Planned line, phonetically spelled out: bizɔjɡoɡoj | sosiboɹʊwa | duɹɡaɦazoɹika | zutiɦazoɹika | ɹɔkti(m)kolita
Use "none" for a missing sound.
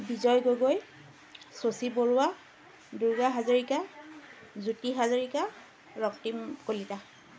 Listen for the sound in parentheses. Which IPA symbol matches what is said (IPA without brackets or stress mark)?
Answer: m